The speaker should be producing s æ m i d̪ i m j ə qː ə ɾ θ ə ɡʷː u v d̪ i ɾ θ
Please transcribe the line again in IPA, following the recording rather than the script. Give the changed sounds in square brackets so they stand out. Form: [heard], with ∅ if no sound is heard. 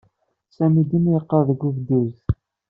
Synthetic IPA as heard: s æ m i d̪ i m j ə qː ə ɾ [ð] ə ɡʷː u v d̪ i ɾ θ